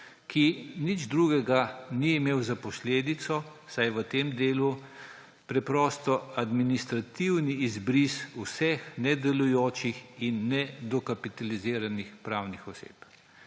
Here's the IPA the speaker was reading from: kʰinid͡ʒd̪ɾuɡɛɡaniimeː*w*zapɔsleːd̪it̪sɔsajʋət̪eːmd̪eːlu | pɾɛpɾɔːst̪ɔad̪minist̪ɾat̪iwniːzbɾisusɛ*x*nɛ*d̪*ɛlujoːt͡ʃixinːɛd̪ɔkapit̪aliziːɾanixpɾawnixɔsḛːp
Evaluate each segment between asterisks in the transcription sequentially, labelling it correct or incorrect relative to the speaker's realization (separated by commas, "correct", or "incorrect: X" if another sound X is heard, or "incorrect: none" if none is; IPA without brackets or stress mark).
correct, correct, correct